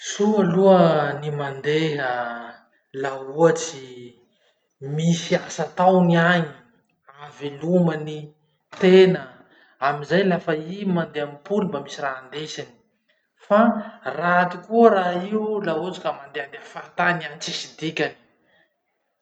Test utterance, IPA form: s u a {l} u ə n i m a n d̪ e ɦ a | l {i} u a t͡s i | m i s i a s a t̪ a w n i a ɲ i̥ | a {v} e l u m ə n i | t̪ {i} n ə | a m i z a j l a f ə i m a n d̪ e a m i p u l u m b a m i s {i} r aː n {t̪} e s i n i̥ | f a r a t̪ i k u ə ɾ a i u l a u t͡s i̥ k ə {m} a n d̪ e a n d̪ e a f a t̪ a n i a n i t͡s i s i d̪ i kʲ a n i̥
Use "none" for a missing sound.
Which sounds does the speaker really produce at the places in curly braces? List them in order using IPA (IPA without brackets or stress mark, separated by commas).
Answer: l, a, v, e, i, d̪, m